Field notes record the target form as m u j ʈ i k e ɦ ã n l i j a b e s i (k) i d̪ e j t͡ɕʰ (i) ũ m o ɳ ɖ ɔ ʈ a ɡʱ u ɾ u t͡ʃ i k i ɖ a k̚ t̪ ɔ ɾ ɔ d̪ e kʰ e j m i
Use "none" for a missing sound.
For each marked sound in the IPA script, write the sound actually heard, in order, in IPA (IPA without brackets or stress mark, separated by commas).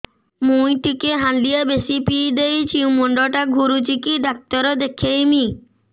p, i